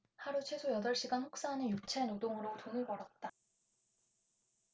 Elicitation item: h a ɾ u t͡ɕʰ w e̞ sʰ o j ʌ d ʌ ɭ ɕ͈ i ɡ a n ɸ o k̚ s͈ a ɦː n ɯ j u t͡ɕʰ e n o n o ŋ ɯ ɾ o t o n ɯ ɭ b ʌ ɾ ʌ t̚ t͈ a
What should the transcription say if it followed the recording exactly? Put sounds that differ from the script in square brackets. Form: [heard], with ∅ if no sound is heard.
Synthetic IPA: h a ɾ u t͡ɕʰ w e̞ sʰ o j ʌ d ʌ ɭ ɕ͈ i ɡ a n ɸ o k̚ s͈ a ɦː n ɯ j u t͡ɕʰ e n o [d] o ŋ ɯ ɾ o t o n ɯ ɭ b ʌ ɾ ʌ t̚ t͈ a